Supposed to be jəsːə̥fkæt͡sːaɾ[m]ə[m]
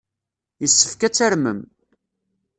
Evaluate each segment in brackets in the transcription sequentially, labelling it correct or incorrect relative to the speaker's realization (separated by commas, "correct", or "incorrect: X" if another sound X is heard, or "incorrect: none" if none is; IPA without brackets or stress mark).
correct, correct